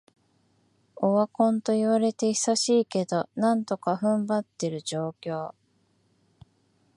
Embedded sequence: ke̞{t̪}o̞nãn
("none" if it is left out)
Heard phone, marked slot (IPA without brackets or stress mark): d̪